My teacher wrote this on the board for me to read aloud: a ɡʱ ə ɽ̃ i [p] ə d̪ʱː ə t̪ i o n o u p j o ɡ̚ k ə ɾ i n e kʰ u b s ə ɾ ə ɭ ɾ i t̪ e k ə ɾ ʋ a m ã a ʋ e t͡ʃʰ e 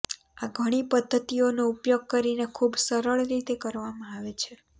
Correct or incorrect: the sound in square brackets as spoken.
correct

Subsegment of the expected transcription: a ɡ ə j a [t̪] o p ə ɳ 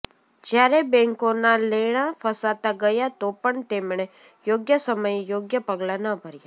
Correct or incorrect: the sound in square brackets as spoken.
correct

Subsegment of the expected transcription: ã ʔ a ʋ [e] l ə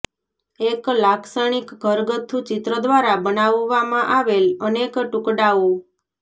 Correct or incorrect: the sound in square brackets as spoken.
correct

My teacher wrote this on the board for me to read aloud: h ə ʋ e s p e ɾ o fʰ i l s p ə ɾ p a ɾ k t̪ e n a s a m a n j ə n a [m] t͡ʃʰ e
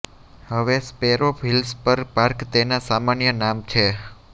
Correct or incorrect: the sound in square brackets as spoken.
correct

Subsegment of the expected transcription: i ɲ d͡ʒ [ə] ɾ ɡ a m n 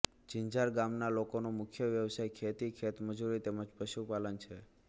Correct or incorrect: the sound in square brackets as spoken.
incorrect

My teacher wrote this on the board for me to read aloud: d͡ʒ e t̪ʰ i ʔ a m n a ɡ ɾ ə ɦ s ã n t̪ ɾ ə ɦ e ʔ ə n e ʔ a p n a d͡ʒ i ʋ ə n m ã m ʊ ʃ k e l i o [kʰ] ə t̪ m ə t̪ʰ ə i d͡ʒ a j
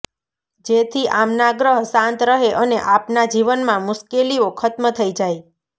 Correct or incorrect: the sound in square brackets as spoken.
correct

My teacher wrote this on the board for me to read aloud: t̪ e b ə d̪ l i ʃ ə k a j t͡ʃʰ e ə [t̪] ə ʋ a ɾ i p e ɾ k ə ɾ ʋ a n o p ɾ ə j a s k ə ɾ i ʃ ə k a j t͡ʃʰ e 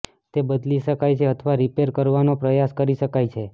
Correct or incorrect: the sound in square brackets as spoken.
incorrect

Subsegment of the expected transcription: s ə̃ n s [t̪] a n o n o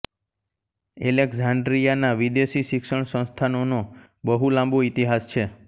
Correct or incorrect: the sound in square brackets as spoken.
incorrect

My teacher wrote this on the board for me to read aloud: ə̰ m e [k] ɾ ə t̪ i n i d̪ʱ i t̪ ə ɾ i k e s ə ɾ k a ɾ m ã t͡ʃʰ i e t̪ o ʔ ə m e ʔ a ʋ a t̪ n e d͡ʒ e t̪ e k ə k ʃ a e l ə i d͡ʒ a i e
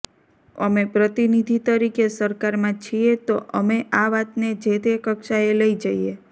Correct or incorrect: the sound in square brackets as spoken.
incorrect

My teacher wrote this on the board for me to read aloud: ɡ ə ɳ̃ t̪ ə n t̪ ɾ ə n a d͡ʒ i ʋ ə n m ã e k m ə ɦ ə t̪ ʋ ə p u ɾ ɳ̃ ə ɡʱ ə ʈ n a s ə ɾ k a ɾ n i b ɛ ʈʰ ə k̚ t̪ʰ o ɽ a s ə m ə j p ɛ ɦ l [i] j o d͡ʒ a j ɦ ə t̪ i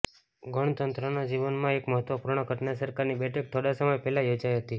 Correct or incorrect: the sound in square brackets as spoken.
incorrect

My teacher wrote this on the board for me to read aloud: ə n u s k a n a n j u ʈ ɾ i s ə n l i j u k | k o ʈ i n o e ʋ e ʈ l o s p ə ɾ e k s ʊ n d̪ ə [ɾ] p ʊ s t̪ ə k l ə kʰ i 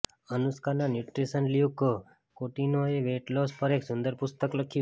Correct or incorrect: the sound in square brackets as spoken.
correct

